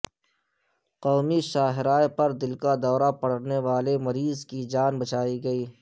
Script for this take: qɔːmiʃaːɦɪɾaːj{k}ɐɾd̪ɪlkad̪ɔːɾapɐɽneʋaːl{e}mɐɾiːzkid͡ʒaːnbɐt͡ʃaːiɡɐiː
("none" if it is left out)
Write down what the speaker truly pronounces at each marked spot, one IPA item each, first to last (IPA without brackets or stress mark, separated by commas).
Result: p, e